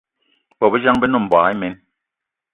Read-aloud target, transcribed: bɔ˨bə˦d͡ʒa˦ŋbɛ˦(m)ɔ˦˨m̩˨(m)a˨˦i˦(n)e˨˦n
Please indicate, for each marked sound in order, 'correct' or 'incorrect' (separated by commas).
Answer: incorrect, incorrect, incorrect